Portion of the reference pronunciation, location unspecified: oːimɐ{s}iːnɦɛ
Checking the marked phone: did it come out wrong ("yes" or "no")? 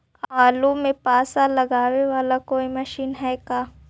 yes